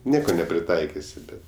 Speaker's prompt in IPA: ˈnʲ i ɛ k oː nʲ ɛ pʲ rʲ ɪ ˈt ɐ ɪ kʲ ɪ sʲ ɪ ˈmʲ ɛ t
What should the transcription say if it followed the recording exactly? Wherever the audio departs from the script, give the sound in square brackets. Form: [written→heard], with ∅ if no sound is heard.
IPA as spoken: ˈnʲ i ɛ k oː nʲ ɛ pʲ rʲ ɪ ˈt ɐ ɪ kʲ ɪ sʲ ɪ [ˈmʲ→ˈbʲ] ɛ t